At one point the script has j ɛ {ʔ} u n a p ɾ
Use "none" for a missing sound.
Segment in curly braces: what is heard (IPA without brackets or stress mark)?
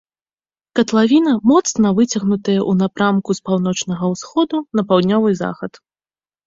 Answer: ʔ